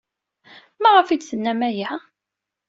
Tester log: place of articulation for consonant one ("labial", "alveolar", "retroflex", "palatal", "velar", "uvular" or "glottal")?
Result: labial